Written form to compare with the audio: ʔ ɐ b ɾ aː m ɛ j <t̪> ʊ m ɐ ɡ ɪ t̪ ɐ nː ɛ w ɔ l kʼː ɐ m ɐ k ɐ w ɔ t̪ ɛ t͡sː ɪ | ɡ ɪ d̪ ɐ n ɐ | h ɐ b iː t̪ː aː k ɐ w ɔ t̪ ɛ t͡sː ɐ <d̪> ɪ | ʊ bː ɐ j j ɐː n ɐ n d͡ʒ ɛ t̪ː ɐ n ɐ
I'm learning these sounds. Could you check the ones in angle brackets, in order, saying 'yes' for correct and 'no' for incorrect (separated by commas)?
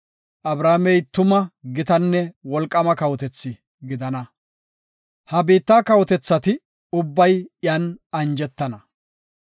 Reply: yes, no